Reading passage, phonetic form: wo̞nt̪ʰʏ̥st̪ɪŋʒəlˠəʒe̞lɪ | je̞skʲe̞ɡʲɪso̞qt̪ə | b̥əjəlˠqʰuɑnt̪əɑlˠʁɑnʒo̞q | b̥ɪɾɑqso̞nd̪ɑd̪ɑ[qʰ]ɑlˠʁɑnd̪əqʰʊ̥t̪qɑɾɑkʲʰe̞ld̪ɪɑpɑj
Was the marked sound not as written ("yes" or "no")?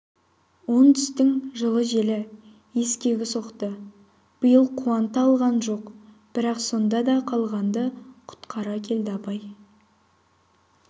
no